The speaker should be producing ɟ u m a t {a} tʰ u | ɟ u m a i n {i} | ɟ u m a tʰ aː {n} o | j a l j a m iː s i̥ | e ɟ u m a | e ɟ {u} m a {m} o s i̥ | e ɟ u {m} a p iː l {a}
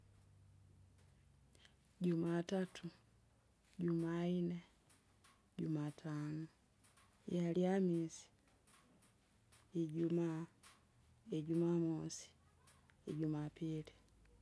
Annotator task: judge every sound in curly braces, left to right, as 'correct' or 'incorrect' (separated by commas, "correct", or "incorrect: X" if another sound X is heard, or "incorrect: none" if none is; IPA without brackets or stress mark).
correct, incorrect: e, correct, correct, correct, correct, incorrect: i